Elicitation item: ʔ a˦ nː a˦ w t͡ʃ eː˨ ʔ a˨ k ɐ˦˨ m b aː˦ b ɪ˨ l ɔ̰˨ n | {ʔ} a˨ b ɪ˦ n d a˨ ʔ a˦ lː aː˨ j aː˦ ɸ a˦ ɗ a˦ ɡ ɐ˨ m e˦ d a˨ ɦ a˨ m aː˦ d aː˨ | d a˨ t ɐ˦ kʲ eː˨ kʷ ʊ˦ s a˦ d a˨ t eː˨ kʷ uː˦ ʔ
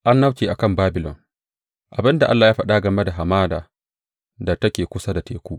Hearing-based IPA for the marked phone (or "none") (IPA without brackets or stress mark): ʔ